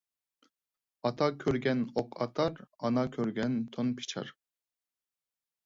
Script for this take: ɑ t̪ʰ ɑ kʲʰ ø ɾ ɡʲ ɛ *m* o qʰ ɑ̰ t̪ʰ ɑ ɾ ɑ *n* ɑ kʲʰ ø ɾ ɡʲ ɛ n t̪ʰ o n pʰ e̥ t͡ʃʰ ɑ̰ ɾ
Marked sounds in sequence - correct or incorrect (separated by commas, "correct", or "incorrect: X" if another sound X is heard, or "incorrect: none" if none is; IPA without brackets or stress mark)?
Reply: incorrect: n, correct